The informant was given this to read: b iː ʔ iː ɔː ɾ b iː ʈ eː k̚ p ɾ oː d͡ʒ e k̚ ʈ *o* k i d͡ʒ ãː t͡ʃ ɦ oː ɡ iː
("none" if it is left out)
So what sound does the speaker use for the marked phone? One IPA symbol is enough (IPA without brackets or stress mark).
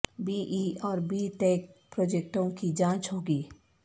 õ